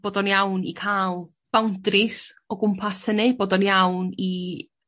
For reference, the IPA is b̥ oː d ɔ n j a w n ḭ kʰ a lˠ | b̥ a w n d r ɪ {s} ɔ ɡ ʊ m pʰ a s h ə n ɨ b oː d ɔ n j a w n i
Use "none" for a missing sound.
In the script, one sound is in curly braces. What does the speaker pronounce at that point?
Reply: s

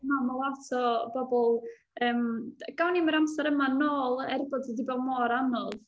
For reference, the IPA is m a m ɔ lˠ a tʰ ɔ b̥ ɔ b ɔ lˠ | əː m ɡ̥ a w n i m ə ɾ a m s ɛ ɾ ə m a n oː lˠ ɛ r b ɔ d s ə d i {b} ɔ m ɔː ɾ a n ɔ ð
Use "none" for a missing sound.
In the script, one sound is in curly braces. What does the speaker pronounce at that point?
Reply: b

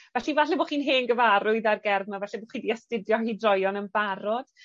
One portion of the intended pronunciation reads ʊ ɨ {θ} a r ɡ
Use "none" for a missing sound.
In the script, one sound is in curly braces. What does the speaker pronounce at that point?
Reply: ð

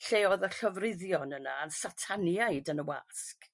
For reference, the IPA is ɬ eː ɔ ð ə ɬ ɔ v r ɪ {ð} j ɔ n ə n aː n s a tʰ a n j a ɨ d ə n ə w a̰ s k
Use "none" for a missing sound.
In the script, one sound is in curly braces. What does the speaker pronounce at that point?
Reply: ð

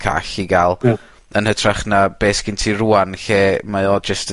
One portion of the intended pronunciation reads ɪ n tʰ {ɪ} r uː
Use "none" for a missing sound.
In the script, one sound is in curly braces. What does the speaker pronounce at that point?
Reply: i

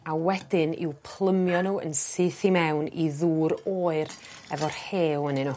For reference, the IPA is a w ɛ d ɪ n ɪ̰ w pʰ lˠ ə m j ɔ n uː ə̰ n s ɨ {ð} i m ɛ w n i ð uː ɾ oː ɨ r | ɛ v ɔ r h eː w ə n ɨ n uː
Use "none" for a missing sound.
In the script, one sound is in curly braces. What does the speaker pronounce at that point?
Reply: θ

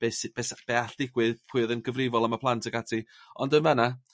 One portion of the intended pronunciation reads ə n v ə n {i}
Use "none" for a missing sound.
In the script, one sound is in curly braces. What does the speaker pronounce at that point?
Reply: a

